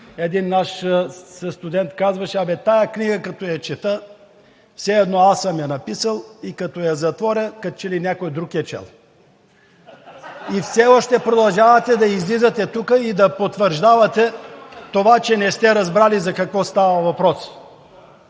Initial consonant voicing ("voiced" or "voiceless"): voiced